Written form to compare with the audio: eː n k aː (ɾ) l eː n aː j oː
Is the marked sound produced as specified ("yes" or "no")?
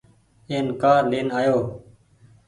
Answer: yes